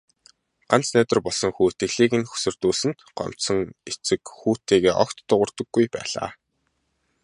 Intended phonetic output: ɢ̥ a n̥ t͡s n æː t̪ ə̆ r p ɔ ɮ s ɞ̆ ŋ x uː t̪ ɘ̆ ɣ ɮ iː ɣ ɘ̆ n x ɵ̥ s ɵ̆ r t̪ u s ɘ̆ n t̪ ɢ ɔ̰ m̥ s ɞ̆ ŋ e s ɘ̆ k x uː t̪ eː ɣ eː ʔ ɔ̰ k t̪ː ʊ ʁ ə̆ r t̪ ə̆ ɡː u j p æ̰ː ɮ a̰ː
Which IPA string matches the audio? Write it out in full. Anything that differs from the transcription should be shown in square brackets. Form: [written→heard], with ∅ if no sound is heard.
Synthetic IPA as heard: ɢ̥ a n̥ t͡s n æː t̪ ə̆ r p ɔ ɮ s ɞ̆ ŋ x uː t̪ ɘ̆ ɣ ɮ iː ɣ ɘ̆ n x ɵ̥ s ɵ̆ r t̪ [u→uː] s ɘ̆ n t̪ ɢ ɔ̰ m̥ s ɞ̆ ŋ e [s→t͡s] ɘ̆ k x uː t̪ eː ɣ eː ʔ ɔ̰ k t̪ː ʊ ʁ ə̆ r t̪ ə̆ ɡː u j p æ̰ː ɮ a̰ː